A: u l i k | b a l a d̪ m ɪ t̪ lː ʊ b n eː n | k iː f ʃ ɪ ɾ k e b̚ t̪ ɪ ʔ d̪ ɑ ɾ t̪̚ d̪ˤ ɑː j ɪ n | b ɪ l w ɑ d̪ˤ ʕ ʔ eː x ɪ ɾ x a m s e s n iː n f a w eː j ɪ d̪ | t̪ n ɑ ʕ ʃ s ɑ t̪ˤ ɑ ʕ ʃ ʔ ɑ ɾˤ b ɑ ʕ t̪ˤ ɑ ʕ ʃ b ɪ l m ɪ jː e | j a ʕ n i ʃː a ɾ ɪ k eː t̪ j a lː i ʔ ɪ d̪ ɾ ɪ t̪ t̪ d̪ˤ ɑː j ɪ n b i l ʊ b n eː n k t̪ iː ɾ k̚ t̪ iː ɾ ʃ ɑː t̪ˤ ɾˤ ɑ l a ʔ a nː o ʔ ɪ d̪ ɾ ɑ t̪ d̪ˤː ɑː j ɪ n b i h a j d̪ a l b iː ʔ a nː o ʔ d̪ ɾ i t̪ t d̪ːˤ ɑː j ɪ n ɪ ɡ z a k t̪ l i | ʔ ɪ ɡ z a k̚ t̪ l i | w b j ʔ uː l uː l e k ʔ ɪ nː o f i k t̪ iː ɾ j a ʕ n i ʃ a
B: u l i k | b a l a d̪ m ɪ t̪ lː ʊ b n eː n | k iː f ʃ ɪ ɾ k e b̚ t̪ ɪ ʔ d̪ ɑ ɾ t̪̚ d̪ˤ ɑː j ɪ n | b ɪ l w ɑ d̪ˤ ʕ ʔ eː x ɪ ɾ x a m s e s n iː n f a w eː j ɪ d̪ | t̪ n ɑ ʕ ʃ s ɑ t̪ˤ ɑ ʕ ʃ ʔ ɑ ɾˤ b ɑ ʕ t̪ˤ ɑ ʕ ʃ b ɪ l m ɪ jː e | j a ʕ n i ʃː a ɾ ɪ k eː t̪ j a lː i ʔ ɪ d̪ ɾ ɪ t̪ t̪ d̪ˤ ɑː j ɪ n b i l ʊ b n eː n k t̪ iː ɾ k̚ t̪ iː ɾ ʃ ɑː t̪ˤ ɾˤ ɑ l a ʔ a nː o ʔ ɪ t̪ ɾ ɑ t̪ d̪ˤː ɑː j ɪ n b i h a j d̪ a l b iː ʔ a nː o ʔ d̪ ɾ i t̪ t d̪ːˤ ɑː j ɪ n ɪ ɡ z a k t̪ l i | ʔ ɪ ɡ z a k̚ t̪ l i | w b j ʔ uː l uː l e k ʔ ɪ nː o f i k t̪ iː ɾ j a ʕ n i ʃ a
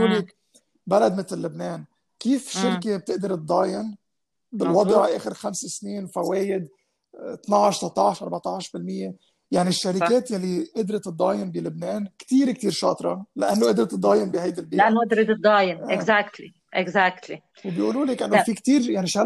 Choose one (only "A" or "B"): A